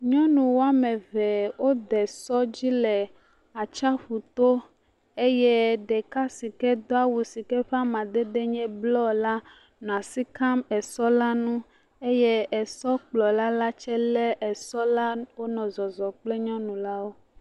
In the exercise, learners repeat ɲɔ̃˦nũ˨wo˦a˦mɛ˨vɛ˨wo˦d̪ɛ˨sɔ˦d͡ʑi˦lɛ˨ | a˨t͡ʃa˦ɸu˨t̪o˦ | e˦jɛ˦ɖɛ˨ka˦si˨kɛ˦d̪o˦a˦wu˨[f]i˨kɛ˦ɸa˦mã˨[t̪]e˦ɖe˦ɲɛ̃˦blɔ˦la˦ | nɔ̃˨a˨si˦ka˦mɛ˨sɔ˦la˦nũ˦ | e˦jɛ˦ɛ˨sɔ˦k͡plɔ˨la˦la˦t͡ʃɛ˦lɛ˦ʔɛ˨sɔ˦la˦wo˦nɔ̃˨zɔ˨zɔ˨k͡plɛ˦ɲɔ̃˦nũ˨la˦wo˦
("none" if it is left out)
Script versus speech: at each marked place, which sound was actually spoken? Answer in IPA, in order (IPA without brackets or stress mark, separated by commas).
s, d̪